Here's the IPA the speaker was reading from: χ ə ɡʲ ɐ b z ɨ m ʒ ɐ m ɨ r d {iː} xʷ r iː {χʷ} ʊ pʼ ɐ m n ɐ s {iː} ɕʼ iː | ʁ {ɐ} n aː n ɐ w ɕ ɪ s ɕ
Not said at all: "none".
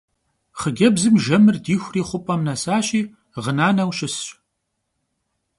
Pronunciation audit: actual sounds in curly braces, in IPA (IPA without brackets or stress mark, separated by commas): iː, χʷ, aː, ə